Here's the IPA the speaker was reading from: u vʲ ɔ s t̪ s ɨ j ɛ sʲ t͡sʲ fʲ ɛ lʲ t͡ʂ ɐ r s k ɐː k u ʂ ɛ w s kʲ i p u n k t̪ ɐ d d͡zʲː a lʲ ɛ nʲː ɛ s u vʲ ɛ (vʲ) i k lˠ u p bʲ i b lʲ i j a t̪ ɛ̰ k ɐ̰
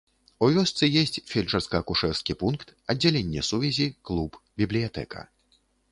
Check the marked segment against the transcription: incorrect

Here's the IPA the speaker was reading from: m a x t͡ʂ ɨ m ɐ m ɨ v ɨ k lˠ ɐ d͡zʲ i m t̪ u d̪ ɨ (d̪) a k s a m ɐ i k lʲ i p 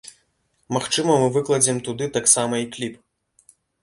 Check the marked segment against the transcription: incorrect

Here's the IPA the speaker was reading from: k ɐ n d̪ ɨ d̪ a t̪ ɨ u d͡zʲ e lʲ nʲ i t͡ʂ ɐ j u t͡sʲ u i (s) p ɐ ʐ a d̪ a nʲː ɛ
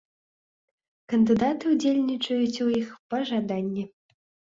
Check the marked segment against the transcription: incorrect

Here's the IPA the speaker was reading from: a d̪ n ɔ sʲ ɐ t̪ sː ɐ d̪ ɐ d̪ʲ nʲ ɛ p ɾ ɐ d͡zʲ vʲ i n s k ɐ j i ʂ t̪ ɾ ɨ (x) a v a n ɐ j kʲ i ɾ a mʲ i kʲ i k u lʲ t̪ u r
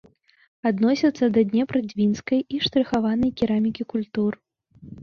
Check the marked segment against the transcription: correct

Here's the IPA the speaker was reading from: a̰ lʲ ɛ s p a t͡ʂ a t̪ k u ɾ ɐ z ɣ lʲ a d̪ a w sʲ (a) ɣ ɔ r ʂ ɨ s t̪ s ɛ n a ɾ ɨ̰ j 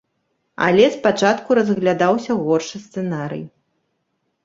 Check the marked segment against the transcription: incorrect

